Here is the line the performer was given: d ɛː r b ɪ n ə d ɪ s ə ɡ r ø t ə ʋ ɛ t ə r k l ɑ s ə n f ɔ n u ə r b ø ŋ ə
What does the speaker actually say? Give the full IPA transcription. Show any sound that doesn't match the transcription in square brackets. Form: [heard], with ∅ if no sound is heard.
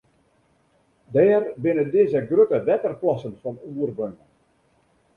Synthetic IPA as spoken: d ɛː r b ɪ n ə d ɪ [z] ə ɡ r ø t ə ʋ ɛ t ə r [p] l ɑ s ə n f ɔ n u ə r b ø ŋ ə